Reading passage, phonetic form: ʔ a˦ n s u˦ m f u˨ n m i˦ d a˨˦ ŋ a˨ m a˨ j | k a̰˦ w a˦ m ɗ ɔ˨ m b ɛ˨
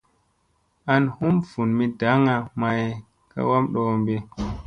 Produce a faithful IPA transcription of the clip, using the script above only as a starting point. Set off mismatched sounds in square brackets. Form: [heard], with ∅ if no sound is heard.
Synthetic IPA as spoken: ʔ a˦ n [h] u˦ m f u˨ n m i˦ d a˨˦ ŋ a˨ m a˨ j | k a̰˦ w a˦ m ɗ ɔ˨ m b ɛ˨